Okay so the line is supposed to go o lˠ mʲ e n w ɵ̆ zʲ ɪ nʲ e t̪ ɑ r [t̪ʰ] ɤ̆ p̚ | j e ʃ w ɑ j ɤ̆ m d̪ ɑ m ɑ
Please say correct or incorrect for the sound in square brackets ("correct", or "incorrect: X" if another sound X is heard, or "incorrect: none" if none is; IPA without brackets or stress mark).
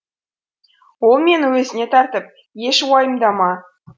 incorrect: t̪